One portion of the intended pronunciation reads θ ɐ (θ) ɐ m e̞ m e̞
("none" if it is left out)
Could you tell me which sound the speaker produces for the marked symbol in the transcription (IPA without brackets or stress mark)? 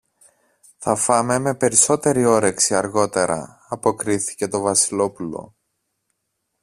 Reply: f